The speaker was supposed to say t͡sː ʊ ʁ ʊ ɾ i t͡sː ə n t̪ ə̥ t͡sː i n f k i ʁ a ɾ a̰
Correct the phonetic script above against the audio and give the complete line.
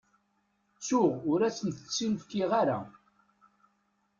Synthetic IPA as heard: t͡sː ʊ ʁ ʊ ɾ æ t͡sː ə n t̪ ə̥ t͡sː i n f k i ʁ a ɾ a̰